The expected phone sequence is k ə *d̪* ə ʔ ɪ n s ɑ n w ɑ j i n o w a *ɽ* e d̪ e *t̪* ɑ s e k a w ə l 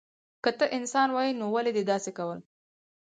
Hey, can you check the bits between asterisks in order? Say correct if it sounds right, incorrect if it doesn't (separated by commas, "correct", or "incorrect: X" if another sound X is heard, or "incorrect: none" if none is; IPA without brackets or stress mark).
incorrect: t̪, incorrect: l, incorrect: d̪